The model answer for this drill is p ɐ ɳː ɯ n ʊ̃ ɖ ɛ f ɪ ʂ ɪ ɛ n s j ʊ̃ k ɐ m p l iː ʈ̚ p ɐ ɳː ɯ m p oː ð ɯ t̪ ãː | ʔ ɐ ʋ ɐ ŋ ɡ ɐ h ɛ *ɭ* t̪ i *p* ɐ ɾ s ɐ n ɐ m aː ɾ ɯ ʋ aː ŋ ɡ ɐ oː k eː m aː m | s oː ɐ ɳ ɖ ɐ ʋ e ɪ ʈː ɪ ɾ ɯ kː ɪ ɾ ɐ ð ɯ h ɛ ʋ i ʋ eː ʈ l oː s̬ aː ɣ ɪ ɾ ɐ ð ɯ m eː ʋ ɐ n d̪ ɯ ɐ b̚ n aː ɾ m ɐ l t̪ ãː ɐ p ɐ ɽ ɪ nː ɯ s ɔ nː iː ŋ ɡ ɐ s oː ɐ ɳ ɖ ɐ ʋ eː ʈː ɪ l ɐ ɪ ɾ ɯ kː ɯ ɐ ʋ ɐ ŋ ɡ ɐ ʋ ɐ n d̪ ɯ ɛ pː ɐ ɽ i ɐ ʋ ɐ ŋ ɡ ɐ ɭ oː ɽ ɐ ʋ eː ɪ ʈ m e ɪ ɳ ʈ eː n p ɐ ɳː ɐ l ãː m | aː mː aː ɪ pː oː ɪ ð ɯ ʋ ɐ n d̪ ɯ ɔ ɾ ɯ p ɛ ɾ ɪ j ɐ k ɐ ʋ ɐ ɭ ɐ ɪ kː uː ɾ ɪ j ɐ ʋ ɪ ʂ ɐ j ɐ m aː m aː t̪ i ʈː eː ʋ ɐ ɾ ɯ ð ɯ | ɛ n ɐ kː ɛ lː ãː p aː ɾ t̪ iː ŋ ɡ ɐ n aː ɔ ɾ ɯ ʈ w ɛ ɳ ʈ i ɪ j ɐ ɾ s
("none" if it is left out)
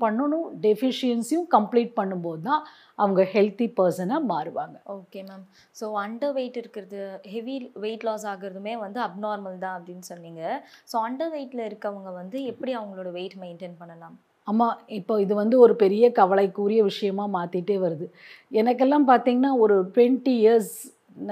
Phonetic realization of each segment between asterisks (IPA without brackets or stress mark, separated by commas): l, p